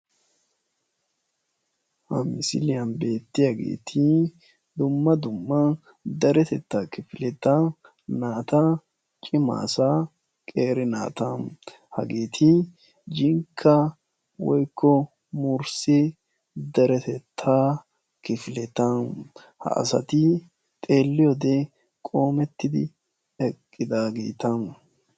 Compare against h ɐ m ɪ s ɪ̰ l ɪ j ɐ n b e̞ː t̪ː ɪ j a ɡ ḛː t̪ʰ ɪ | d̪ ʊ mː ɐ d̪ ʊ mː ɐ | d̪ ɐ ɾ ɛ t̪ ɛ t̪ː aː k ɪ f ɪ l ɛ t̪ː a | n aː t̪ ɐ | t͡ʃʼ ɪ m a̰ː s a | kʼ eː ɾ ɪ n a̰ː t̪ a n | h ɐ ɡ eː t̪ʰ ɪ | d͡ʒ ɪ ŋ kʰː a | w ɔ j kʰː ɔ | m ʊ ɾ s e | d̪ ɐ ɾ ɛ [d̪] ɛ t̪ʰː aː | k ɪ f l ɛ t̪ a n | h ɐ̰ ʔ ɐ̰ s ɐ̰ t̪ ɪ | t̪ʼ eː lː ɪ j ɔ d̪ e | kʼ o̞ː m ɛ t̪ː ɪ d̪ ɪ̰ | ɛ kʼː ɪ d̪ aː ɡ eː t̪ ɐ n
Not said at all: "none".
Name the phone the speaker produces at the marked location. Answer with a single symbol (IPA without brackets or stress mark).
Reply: t̪